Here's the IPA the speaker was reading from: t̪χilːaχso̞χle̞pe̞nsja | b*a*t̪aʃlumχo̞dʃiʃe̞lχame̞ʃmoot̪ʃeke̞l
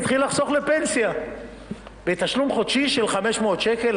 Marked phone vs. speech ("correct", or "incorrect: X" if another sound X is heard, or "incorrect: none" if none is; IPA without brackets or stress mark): incorrect: e